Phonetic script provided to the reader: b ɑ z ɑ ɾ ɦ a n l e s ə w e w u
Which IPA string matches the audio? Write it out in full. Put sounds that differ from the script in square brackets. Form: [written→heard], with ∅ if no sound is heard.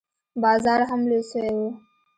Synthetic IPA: b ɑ z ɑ ɾ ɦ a [n→m] l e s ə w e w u